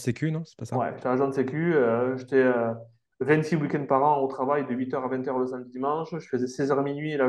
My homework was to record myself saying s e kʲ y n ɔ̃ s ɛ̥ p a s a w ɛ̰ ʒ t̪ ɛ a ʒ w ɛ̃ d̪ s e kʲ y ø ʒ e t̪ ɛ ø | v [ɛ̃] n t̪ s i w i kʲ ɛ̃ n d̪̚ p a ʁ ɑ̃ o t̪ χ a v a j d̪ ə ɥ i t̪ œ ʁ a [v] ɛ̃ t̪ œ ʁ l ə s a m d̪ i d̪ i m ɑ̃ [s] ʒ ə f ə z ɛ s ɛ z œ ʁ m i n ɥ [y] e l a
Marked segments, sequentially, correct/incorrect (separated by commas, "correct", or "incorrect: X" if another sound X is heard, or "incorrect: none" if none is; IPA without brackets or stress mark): correct, correct, incorrect: ʃ, incorrect: i